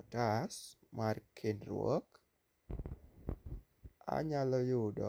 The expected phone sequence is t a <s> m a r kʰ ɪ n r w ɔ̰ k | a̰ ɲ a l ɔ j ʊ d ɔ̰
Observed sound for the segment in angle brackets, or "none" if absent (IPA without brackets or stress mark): s